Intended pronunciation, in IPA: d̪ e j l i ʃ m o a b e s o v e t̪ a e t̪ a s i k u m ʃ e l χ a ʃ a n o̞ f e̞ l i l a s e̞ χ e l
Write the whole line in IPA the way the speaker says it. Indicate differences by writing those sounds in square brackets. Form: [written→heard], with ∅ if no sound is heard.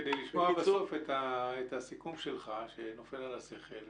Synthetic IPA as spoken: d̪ e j l i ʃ m o a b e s o [v→f] e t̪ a e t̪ a s i k u m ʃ e l χ a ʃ [a→e] n o̞ f e̞ l [i→a] l a s e̞ χ e l